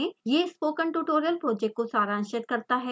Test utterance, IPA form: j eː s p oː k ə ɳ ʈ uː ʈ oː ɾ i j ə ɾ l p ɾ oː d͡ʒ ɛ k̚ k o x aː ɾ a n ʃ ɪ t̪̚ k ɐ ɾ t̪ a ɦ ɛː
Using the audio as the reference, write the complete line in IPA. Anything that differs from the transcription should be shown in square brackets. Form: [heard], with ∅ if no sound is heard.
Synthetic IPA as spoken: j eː s p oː k ə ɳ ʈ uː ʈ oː ɾ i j ə [∅] l p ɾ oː d͡ʒ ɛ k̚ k o [s] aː ɾ a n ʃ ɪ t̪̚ k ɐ ɾ t̪ a ɦ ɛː